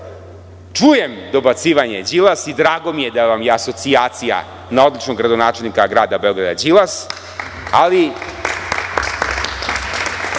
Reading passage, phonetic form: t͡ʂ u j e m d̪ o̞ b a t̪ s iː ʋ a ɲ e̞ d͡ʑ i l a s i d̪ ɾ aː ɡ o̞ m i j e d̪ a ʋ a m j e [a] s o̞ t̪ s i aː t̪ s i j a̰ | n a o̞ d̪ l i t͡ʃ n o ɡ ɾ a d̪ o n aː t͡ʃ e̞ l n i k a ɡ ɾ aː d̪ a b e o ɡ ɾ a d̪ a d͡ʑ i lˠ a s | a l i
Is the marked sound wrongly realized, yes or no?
no